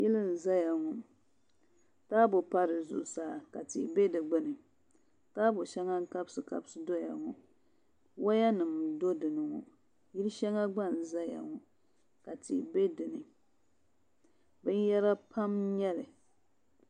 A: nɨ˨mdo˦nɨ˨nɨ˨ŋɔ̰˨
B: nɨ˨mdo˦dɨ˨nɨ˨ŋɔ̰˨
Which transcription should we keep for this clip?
B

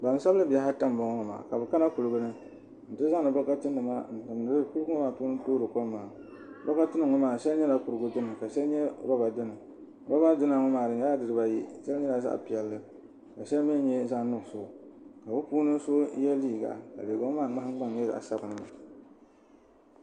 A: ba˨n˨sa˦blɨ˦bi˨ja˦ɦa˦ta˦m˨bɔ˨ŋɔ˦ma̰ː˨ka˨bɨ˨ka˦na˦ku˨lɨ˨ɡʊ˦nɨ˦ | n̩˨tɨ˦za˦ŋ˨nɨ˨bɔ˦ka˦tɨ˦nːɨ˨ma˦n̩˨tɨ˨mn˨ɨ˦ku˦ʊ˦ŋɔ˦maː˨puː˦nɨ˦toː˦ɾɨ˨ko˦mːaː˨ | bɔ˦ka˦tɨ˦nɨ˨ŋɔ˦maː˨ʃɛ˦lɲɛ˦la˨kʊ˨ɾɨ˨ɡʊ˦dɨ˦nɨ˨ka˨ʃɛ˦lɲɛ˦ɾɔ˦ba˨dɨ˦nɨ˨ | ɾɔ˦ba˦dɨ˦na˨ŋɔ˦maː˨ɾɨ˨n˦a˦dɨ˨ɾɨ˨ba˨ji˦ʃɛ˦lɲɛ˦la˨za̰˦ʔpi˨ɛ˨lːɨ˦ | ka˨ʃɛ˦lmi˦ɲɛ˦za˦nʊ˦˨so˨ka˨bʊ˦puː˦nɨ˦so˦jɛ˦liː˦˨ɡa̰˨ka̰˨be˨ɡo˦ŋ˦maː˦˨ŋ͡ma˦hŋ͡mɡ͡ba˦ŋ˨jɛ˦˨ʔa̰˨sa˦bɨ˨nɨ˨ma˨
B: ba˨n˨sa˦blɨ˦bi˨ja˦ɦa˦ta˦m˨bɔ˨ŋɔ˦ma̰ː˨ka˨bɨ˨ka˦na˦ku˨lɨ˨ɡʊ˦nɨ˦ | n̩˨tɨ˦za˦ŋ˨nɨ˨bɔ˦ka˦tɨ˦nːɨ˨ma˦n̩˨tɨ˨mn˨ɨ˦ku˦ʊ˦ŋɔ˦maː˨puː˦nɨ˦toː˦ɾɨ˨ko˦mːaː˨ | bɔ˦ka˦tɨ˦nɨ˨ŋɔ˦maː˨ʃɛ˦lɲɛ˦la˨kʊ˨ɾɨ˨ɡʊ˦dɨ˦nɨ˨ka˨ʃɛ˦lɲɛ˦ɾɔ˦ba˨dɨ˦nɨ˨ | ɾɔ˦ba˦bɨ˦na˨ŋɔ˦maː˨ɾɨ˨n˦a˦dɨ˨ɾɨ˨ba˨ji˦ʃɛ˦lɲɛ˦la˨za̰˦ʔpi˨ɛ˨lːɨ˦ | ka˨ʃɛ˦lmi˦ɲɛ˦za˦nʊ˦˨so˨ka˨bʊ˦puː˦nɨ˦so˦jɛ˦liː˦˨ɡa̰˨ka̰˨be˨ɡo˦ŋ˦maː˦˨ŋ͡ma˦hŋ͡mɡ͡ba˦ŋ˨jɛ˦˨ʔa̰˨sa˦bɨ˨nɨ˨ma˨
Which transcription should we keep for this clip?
A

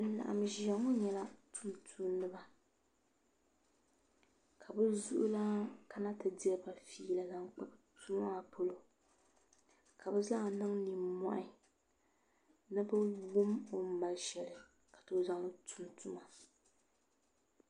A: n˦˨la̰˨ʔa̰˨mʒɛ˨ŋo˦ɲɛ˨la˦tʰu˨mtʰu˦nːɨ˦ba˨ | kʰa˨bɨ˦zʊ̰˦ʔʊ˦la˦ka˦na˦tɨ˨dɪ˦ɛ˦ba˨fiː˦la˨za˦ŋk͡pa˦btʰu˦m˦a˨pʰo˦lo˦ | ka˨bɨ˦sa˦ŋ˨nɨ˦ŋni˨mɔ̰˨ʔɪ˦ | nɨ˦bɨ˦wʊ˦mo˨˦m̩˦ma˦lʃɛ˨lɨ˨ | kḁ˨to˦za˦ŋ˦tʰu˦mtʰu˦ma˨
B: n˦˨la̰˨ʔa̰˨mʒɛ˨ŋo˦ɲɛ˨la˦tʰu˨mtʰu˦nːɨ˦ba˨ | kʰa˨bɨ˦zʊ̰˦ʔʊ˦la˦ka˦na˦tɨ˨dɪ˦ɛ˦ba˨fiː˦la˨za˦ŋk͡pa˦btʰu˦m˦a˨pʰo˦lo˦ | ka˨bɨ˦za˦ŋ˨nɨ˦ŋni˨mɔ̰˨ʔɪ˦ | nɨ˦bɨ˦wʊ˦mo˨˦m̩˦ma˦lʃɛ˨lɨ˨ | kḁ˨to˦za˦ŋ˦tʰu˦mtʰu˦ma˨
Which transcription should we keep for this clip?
B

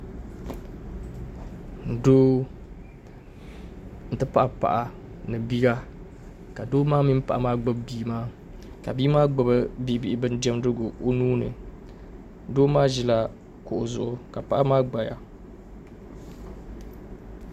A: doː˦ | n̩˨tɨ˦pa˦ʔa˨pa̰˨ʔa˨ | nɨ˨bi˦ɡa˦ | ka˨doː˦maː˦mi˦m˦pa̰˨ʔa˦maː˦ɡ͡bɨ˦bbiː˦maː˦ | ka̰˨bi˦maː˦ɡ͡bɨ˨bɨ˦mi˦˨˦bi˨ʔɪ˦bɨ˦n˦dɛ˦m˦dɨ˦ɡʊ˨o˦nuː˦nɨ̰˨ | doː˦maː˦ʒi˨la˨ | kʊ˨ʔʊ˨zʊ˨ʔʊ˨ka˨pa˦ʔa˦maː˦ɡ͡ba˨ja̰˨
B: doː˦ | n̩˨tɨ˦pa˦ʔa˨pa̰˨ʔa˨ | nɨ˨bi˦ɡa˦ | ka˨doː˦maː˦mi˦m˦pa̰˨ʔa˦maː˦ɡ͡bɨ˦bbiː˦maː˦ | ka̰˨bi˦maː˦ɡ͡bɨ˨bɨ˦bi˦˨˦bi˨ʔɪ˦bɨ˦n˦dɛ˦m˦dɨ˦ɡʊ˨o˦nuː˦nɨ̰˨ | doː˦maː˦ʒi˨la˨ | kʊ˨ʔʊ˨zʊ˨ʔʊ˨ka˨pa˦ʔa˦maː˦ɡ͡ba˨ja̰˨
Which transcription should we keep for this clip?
B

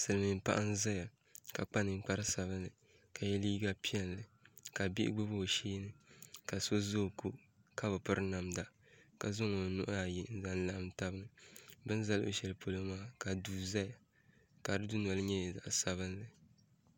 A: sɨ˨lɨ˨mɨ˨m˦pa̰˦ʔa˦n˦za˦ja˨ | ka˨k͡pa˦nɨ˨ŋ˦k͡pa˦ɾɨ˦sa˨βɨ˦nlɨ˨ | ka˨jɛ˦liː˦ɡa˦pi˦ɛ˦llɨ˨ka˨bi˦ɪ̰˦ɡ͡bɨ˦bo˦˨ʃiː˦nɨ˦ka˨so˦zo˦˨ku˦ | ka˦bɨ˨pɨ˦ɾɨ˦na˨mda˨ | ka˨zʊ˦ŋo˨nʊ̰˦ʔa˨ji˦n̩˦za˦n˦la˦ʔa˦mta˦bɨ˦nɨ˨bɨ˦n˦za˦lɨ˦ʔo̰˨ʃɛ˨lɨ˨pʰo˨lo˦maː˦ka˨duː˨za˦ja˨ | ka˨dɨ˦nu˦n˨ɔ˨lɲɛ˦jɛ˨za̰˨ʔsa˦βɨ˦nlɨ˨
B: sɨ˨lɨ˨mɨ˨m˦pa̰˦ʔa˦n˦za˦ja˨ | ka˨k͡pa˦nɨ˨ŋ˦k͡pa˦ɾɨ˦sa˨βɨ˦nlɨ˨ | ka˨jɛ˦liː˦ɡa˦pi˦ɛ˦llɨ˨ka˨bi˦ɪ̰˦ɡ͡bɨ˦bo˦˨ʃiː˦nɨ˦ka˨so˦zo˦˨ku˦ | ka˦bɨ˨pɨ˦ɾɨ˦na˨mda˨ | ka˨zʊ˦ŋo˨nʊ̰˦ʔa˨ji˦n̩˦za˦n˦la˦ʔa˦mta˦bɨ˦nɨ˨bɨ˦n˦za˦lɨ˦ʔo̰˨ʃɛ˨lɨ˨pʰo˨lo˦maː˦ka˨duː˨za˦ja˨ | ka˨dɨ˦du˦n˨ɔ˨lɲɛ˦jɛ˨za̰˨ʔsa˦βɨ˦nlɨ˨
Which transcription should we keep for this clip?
B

